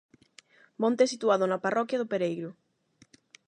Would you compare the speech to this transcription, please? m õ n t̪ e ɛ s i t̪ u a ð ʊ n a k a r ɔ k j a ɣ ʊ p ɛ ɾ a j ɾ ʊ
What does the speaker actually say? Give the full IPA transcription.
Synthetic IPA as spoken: m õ n t̪ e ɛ s i t̪ u a ð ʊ n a p a r ɔ k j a ð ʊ p e ɾ e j ɾ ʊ